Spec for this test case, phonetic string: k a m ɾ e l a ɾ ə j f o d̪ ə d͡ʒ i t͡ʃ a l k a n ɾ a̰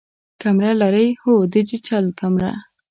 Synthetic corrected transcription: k a m ɾ a l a ɾ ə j h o d̪ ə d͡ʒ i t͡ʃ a l k a m ɾ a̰